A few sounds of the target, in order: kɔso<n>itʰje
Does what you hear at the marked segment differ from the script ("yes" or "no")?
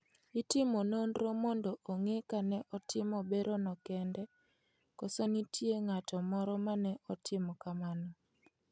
no